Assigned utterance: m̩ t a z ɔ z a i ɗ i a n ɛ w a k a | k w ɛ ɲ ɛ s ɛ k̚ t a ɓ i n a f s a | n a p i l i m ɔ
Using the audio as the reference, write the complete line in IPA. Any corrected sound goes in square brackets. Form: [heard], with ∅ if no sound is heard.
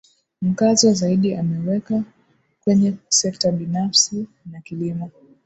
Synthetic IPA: m̩ [k] a z ɔ z a i ɗ i a [m] ɛ w [ɛ] k a | k w ɛ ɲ ɛ s ɛ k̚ t a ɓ i n a f s [i] | n a [k] i l i m ɔ